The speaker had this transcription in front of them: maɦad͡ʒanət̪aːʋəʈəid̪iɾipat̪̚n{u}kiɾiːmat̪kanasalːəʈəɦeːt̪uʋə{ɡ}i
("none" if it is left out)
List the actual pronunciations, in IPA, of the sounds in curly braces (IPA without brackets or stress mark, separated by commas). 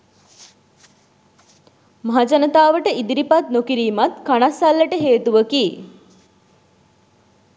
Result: o, k